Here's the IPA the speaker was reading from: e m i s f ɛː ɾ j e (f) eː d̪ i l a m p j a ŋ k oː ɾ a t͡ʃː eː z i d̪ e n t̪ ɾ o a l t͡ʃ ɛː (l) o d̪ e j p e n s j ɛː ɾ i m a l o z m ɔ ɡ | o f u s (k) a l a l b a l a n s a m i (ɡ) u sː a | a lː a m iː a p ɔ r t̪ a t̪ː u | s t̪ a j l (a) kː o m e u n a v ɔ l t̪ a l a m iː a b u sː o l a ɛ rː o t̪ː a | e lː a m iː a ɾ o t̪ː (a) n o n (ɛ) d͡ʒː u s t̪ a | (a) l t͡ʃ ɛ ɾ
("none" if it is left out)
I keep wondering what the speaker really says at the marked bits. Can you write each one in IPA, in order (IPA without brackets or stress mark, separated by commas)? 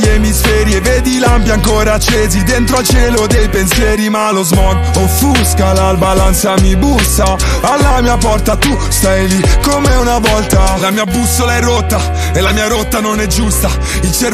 v, l, k, b, i, a, ɛ, i